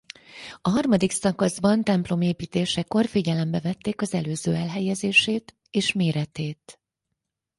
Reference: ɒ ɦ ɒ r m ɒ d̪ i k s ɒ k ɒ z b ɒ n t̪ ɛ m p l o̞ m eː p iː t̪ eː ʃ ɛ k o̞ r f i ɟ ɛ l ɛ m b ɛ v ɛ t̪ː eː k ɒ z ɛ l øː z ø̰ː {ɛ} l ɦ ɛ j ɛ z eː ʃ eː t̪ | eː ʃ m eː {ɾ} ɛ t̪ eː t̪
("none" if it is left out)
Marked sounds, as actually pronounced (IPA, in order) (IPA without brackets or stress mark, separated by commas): ɛ, ɾ